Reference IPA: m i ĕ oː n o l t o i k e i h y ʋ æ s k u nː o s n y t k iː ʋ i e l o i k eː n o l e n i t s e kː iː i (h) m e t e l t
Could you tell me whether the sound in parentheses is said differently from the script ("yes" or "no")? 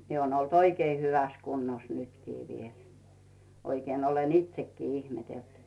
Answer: no